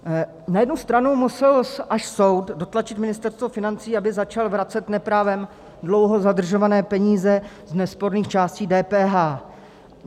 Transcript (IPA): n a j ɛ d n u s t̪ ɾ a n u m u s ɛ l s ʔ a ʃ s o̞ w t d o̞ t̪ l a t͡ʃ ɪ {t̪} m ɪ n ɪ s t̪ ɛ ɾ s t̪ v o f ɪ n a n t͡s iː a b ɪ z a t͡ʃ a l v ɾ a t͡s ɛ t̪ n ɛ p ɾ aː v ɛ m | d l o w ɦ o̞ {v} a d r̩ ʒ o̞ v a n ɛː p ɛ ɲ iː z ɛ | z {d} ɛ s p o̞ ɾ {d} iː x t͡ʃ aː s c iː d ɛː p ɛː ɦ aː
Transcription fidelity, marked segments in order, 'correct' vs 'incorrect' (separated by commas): correct, incorrect, incorrect, incorrect